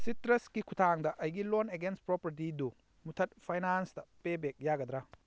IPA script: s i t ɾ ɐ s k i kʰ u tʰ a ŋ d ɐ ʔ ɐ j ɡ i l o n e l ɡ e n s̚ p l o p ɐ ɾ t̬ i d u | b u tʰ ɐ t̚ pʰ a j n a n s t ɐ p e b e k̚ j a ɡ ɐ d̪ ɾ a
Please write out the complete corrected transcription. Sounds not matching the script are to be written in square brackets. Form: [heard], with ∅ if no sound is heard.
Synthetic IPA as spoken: s i t ɾ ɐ s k i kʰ u tʰ a ŋ d ɐ ʔ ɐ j ɡ i l o n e [∅] ɡ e n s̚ p [ɾ] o p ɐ ɾ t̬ i d u | [m] u tʰ ɐ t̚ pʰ a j n a n s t ɐ p e b e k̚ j a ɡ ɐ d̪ ɾ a